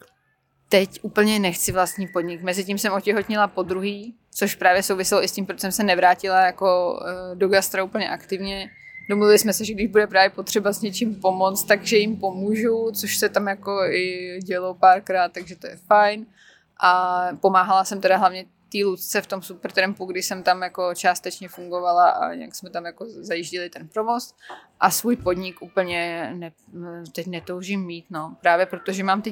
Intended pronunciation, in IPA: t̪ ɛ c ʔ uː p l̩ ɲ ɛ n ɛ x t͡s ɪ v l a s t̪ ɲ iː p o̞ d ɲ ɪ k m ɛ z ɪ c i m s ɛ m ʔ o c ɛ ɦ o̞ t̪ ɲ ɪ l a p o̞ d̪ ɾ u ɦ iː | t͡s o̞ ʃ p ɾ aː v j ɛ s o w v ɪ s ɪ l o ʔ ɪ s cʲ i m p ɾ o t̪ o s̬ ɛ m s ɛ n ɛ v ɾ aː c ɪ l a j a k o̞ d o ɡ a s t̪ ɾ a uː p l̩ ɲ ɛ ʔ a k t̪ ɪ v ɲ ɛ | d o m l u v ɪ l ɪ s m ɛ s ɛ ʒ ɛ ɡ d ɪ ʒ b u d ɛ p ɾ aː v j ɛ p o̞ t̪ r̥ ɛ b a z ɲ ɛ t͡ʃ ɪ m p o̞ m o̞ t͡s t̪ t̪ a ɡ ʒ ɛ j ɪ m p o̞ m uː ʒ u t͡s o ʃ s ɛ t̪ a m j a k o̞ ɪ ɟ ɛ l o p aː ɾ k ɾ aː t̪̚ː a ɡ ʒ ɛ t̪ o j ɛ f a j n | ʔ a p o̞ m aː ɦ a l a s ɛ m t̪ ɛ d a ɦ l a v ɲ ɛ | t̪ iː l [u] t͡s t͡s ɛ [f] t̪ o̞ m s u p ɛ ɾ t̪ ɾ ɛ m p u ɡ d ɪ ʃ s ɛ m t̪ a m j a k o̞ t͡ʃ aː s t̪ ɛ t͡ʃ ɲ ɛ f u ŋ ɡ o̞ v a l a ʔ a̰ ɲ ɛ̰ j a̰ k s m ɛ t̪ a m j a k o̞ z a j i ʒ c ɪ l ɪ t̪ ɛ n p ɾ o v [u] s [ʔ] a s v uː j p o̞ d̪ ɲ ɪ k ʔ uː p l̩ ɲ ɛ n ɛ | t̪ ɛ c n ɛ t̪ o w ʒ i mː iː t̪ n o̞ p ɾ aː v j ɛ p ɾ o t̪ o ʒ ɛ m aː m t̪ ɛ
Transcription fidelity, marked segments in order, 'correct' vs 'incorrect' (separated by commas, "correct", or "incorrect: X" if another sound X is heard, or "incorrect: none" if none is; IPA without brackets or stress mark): correct, correct, incorrect: o, correct